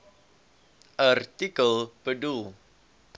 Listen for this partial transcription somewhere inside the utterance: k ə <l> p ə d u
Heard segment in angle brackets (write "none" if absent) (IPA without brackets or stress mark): l